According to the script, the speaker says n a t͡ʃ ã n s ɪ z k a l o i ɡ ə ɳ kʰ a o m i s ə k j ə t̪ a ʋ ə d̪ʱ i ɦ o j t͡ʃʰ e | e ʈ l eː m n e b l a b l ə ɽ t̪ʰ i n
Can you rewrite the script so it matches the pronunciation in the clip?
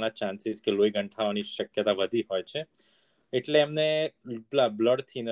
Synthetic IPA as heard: n a t͡ʃ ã n s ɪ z k e l o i ɡ ə ɳ ʈʰ a o n i ʃ ə k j ə t̪ a ʋ ə d̪ʱ i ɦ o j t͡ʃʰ e | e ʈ l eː m n e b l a b l ə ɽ t̪ʰ i n